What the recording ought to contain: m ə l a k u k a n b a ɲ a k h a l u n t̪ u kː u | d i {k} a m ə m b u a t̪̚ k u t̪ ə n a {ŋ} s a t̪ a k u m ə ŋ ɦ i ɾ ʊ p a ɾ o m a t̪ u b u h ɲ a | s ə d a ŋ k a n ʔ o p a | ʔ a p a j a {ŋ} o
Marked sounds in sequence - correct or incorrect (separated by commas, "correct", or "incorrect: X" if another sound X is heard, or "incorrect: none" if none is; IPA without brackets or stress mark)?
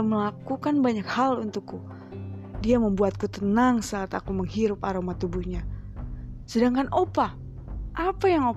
incorrect: none, correct, correct